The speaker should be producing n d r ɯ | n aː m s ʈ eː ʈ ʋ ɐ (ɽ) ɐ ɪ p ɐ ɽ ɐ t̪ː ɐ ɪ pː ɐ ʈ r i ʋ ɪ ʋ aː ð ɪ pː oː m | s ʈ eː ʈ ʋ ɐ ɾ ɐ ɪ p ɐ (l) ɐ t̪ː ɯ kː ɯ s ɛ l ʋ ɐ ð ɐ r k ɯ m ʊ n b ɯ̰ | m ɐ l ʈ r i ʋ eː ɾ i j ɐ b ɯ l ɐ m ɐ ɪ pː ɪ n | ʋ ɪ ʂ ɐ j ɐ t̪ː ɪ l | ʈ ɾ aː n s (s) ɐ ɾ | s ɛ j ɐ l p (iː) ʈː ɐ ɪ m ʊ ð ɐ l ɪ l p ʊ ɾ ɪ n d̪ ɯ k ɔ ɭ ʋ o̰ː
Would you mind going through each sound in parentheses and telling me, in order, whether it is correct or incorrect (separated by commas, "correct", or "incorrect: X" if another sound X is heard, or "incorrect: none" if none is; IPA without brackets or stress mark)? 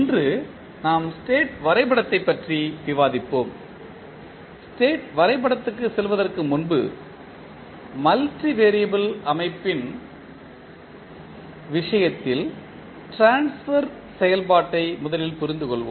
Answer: incorrect: ɾ, incorrect: ɽ, incorrect: f, incorrect: aː